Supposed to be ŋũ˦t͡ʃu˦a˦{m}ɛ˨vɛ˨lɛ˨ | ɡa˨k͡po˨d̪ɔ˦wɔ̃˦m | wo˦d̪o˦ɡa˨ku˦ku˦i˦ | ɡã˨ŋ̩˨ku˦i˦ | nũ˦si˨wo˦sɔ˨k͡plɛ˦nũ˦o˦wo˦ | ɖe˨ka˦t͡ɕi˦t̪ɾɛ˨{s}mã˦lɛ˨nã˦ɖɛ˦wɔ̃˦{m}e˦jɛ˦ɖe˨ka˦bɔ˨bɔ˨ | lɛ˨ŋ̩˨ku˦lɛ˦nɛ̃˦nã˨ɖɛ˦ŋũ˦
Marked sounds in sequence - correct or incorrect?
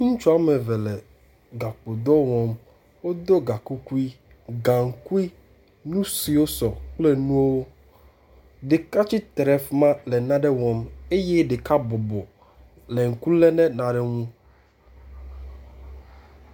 correct, incorrect, correct

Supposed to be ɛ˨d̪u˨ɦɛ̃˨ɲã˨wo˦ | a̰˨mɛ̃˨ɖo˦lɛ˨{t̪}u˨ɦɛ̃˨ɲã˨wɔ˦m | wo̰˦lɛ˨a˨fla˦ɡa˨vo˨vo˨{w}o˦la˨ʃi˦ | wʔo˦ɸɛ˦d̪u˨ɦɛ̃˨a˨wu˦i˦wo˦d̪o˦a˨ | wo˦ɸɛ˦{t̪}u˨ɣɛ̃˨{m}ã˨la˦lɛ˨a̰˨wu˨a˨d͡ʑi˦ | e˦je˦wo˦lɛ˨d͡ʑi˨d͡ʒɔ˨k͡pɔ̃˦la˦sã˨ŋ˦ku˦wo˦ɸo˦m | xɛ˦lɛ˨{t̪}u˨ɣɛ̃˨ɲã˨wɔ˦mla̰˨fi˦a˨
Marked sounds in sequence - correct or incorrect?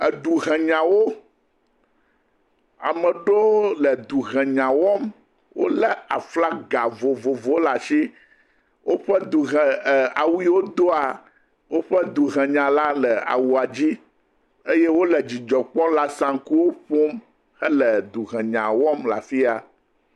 incorrect, incorrect, incorrect, incorrect, incorrect

